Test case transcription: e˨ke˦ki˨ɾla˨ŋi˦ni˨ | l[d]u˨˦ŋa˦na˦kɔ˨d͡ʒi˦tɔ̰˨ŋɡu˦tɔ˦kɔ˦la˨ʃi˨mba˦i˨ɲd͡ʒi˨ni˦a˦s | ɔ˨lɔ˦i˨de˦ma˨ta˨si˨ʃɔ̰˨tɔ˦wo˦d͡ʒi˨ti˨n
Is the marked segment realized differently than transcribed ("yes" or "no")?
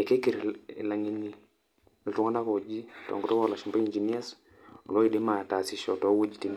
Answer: yes